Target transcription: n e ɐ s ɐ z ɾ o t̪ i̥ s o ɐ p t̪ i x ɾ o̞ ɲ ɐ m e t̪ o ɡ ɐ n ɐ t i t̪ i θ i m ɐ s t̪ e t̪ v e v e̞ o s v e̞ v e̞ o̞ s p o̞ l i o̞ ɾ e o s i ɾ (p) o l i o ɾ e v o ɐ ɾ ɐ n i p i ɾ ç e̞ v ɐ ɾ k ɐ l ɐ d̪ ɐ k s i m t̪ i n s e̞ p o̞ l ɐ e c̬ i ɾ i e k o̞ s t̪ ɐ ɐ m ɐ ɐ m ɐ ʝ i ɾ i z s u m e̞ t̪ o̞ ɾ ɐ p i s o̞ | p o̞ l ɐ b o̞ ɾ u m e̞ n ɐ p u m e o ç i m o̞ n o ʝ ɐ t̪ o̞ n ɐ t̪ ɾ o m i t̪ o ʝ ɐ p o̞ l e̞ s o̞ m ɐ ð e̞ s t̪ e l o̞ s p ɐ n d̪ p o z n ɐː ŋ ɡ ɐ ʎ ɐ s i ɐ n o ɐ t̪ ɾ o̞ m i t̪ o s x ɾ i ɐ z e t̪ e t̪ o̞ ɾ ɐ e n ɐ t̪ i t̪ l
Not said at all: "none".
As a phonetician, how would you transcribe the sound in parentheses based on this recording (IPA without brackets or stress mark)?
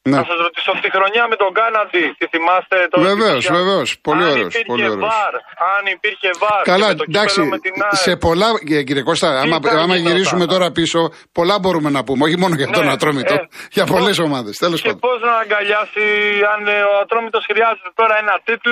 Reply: p